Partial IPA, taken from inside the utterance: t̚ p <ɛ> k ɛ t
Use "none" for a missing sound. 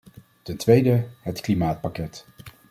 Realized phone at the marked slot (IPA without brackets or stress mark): a